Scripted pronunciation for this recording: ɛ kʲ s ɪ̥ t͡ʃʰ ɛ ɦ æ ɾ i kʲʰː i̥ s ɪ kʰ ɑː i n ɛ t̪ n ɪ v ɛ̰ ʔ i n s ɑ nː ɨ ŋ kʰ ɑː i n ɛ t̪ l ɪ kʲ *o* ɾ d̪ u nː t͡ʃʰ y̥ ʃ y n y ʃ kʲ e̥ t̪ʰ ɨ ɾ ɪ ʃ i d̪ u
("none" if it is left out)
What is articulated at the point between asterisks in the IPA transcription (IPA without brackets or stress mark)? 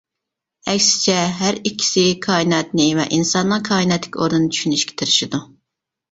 o